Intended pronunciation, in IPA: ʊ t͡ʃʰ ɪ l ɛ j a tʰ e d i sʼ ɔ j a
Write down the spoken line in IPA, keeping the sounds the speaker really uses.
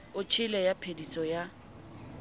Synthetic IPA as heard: ʊ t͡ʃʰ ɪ l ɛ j a pʰ e d i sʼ ɔ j a